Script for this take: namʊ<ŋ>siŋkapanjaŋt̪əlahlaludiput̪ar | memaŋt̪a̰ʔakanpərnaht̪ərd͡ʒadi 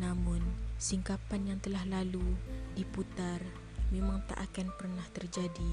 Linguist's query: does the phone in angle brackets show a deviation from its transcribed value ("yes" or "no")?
yes